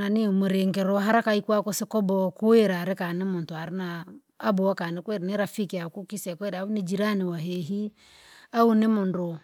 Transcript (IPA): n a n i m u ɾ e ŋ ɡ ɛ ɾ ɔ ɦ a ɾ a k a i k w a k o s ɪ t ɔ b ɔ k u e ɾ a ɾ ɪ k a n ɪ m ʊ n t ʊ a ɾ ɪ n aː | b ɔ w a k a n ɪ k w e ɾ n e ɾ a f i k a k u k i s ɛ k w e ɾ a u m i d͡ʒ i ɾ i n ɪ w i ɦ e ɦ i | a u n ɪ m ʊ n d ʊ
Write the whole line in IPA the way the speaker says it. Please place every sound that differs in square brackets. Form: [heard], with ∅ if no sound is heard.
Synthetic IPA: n a n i m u ɾ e ŋ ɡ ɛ ɾ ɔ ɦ a ɾ a k a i k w a k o s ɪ [k] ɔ b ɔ k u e ɾ a ɾ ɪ k a n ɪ m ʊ n t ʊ a ɾ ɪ n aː | b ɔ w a k a n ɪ k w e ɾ n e ɾ a f i k a k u k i s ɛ k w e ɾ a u [n] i d͡ʒ i ɾ [a] n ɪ w [a] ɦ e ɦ i | a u n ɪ m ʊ n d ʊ

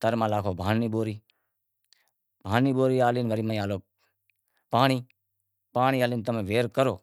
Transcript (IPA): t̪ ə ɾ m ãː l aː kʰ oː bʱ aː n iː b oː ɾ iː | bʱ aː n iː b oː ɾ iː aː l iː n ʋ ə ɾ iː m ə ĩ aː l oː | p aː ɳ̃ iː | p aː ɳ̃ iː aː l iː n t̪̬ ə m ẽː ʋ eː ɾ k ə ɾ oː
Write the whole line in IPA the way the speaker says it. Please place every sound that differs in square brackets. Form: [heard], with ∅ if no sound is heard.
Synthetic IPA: t̪ ə ɾ m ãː l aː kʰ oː bʱ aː n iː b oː ɾ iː | bʱ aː n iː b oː ɾ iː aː l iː n ʋ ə ɾ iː m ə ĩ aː l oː | p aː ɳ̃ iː | p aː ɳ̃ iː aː l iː n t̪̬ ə m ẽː ʋ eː ɾ k ə ɾ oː

